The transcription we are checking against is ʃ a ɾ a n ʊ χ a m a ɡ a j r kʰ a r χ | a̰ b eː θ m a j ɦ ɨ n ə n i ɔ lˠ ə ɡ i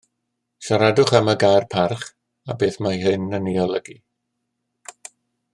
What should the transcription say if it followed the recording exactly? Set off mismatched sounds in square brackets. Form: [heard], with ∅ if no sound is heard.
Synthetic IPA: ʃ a ɾ a [d] ʊ χ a m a ɡ a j r [pʰ] a r χ | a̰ b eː θ m a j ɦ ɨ n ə n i ɔ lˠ ə ɡ i